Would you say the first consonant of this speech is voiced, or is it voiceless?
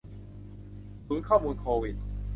voiceless